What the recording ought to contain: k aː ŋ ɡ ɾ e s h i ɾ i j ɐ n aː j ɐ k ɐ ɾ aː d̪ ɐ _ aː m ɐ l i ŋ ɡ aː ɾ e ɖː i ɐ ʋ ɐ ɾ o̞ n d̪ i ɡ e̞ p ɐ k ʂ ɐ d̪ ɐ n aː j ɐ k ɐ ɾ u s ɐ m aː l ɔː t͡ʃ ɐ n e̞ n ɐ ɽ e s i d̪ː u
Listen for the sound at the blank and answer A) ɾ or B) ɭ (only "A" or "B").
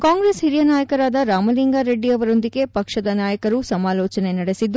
A